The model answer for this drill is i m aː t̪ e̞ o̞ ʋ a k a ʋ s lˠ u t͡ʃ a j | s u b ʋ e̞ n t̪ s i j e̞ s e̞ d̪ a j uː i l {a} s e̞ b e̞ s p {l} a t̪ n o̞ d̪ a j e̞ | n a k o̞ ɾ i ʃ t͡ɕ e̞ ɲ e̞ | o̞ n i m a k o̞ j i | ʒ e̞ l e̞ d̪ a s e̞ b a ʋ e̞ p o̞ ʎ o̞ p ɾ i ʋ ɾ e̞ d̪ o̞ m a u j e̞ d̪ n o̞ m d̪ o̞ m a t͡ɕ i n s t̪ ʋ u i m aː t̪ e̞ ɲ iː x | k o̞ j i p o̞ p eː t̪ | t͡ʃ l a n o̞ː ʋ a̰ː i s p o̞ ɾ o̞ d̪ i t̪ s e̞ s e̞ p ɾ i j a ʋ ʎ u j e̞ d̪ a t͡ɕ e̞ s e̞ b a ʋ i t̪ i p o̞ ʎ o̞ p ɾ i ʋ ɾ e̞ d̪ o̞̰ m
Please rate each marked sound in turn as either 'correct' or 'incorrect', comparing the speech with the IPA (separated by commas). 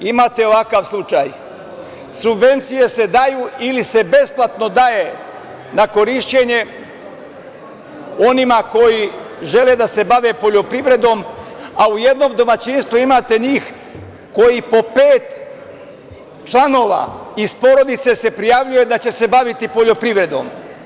incorrect, correct